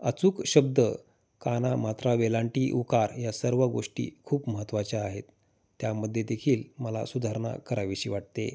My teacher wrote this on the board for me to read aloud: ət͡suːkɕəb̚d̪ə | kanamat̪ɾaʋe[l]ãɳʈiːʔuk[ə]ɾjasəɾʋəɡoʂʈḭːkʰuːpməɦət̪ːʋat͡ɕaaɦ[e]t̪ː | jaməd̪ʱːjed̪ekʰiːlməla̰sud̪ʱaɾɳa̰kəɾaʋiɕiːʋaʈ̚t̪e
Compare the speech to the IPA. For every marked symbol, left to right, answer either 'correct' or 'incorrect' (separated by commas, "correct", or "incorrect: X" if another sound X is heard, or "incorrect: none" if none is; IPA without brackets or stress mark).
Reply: correct, incorrect: a, correct